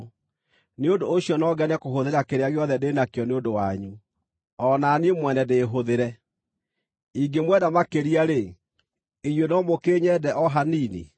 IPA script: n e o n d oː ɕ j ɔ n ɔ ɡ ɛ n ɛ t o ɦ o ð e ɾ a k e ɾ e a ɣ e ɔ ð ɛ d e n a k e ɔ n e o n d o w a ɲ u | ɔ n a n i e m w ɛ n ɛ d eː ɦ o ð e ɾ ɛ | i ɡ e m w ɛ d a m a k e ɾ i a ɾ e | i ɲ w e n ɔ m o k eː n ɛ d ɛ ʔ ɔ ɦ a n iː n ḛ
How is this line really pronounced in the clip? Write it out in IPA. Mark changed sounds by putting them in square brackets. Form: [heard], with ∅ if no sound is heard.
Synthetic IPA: n e o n d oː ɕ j ɔ n ɔ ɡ ɛ n ɛ [k] o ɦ o ð e ɾ a k e ɾ e a ɣ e ɔ ð ɛ d e n a k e ɔ n e o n d o w a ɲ u | ɔ n a n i e m w ɛ n ɛ d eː ɦ o ð e ɾ ɛ | i ɡ e m w ɛ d a m a k e ɾ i a ɾ e | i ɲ w e n ɔ m o k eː [ɲ] ɛ d ɛ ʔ ɔ ɦ a n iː n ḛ